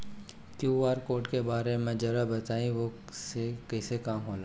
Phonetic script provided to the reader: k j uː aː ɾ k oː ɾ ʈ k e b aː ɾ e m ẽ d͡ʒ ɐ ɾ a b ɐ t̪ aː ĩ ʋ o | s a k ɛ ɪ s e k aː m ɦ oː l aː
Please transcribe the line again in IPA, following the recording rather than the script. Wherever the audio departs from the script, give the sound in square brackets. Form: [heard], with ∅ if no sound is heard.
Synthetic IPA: k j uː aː ɾ k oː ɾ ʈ k e b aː ɾ e m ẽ d͡ʒ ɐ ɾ a b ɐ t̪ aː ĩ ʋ o | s [e] k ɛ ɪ s e k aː m ɦ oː l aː